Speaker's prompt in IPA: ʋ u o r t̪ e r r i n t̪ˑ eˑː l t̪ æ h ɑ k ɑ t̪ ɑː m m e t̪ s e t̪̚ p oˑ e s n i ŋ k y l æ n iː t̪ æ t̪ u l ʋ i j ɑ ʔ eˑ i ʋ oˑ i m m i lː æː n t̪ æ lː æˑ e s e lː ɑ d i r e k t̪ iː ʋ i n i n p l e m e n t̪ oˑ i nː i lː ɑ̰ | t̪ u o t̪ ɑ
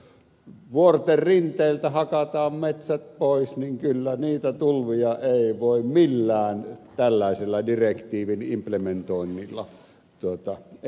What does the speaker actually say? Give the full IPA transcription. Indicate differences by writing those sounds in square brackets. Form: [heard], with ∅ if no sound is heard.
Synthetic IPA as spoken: ʋ u o r t̪ e r r i n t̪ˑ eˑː l t̪ æ h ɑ k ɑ t̪ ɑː m m e t̪ s [æ] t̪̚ p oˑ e s n i ŋ k y [lː] æ n iː t̪ æ t̪ u l ʋ i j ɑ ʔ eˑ i ʋ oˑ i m m i lː æː n t̪ æ lː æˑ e s e lː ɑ d i r e k t̪ iː ʋ i n i [m] p l e m e n t̪ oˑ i nː i lː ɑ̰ | t̪ u o t̪ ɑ